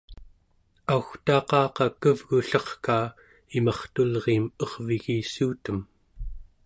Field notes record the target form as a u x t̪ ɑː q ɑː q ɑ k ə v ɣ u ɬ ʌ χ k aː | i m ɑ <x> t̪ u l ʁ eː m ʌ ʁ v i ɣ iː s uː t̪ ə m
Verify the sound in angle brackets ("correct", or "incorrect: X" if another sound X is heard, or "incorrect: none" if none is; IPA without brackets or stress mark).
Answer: incorrect: χ